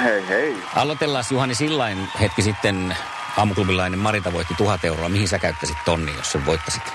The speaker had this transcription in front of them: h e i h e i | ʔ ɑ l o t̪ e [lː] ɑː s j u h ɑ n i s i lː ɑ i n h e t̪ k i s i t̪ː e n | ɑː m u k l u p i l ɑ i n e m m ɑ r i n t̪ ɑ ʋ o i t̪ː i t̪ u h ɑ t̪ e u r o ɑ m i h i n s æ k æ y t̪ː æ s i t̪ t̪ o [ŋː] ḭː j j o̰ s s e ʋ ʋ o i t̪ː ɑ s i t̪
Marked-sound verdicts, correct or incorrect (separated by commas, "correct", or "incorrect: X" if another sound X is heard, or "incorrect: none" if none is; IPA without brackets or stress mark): correct, incorrect: nː